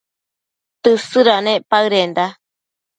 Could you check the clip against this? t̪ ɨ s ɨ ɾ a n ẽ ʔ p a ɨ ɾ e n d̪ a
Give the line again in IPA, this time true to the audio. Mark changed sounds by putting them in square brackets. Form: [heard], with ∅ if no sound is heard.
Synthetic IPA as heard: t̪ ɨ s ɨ ɾ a n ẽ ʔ p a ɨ ɾ e n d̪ a